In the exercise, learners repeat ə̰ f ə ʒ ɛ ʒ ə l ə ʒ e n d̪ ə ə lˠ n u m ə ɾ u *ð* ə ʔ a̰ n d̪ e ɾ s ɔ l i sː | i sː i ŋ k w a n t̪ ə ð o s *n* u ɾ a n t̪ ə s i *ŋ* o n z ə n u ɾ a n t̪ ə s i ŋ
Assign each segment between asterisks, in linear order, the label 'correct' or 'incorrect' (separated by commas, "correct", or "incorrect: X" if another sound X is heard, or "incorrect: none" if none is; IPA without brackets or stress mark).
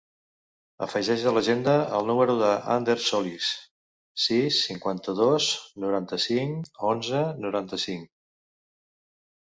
correct, correct, correct